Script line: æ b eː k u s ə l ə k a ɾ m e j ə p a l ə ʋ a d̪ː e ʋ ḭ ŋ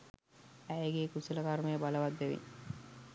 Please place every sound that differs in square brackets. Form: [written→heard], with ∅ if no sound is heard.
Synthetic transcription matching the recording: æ [b→ɡ] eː k u s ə l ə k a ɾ m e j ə [p→b] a l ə ʋ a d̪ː e ʋ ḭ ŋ